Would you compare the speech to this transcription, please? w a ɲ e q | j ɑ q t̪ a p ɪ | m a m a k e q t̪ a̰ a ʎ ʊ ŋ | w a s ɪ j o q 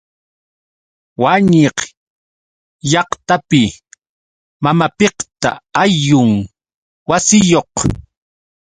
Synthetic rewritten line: w a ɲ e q | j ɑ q t̪ a p ɪ | m a m a p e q t̪ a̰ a j ʊ ŋ | w a s ɪ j o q